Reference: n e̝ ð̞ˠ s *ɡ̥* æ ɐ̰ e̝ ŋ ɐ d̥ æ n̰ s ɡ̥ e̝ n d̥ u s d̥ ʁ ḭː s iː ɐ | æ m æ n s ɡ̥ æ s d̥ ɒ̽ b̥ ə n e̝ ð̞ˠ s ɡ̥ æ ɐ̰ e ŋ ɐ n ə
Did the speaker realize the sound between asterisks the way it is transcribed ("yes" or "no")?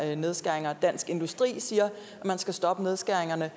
yes